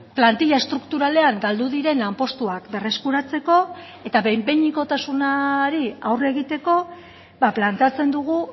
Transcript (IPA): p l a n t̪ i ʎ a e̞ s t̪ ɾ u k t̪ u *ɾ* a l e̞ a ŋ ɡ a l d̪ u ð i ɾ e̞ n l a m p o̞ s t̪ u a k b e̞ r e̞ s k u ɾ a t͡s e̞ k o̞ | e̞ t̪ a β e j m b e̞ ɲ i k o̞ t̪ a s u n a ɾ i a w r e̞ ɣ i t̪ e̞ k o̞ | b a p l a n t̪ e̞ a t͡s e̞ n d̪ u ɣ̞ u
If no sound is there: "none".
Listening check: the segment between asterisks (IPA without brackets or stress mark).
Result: ɾ